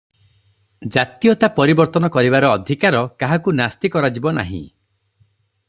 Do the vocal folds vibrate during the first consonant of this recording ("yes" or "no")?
yes